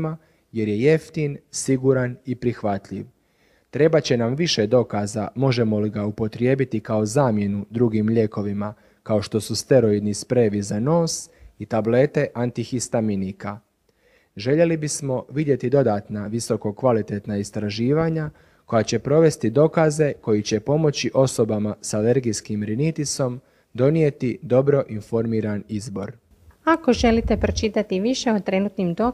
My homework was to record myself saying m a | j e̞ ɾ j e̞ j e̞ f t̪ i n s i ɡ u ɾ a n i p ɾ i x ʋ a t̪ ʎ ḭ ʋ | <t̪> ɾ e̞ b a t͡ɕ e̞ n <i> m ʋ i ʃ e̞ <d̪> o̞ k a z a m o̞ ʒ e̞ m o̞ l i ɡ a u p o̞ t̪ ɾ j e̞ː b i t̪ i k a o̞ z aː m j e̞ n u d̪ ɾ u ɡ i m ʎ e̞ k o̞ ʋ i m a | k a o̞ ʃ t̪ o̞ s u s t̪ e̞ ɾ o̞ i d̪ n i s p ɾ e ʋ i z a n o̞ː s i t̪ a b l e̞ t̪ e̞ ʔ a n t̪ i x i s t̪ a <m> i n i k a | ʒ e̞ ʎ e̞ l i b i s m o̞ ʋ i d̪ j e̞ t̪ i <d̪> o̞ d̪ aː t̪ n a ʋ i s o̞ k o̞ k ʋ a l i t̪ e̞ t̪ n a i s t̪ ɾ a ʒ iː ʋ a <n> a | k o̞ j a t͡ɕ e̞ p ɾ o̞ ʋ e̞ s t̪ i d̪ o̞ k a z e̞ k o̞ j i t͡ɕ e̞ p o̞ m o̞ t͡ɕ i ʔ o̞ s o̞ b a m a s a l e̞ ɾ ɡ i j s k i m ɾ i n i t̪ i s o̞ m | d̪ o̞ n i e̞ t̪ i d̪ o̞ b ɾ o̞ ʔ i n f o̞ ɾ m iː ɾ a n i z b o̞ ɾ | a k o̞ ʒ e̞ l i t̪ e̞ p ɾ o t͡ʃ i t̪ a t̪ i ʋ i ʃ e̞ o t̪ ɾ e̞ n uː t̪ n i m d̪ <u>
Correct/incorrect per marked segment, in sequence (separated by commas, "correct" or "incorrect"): correct, incorrect, correct, correct, correct, incorrect, incorrect